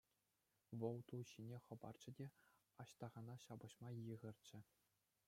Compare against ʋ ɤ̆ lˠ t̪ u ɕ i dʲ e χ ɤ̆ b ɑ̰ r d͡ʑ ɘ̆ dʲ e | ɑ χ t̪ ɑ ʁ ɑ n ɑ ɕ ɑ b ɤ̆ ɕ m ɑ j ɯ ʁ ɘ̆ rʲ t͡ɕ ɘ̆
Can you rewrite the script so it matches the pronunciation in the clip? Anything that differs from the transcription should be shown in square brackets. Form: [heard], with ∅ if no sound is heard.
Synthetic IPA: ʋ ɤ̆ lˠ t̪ u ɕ i [nʲ] e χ ɤ̆ b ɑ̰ r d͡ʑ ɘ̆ dʲ e | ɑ [ɕ] t̪ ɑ ʁ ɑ n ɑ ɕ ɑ b ɤ̆ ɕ m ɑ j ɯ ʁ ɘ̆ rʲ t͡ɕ ɘ̆